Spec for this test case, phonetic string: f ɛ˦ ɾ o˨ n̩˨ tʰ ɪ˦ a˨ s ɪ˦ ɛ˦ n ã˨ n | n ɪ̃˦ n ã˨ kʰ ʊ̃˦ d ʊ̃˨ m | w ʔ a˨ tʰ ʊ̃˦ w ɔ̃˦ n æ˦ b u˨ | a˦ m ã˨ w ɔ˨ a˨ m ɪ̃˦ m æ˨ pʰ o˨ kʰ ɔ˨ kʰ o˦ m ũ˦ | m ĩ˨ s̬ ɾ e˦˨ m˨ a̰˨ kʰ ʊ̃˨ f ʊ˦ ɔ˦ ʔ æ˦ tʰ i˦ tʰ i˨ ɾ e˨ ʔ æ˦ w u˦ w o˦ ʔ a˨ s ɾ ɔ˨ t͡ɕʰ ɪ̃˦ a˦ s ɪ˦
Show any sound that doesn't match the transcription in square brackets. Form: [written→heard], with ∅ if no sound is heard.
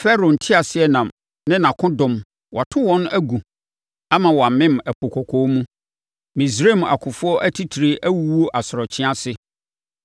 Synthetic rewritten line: f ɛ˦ ɾ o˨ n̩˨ tʰ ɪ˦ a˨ s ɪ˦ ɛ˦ n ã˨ [n→m] | n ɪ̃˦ n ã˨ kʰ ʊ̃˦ d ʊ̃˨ m | w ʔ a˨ tʰ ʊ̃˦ w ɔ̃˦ n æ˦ [b→ɡ] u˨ | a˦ m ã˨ w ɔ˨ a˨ m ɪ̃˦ m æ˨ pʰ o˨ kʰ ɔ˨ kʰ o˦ m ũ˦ | m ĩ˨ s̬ ɾ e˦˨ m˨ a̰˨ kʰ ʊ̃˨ f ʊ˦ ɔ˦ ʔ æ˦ tʰ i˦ tʰ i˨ ɾ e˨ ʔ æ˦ w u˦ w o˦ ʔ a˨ s ɾ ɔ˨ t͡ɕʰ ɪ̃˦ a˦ s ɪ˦